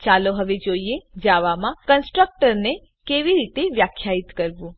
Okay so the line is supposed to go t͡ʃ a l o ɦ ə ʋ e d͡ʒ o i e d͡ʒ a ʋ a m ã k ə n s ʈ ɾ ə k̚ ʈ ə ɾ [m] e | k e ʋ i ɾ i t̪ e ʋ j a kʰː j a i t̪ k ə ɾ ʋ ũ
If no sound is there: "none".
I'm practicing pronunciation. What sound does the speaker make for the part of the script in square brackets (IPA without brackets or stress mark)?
n